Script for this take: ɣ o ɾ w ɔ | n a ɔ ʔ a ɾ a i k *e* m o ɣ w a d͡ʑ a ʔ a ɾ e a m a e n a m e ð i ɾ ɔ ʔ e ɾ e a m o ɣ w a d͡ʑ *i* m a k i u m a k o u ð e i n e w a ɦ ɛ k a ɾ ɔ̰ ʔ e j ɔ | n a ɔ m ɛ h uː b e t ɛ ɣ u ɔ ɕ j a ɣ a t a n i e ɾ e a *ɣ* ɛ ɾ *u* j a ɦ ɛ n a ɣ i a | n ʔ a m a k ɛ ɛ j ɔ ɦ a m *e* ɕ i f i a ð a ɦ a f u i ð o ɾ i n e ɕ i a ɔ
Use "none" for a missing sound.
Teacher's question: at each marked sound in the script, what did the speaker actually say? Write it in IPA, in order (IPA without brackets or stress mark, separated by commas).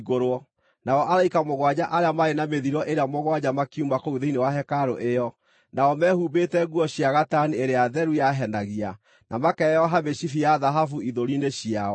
a, a, ð, u, e